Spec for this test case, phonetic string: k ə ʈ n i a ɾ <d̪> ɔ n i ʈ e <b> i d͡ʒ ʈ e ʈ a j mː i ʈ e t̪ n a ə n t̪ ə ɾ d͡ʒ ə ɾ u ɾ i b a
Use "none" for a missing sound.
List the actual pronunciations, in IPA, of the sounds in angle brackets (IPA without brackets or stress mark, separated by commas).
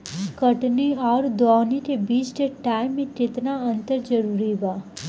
d̪, b